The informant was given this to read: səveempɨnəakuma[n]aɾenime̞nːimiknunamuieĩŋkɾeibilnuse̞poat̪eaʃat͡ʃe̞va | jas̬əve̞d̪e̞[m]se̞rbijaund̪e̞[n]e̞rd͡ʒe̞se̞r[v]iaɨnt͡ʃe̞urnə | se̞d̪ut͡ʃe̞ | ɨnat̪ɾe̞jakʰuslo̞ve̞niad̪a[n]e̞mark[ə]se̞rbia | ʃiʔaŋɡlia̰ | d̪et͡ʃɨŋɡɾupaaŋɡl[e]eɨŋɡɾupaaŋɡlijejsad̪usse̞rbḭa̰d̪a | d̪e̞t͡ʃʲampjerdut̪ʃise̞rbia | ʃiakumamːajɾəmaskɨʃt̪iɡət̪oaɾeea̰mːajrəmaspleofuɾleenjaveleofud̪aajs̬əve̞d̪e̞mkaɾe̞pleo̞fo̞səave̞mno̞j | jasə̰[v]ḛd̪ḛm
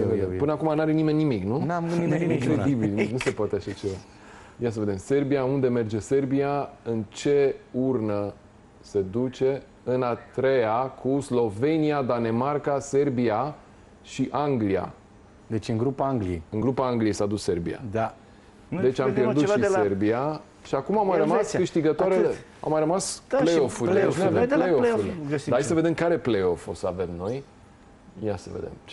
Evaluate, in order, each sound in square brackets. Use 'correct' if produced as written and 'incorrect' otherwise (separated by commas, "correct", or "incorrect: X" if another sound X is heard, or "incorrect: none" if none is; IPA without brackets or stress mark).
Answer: correct, correct, incorrect: m, incorrect: b, correct, incorrect: a, incorrect: i, correct